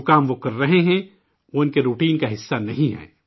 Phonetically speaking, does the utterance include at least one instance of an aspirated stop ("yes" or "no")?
no